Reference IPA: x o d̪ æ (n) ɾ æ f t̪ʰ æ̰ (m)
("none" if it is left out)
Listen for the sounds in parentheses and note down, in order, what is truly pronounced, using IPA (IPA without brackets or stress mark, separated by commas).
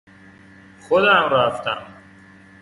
m, m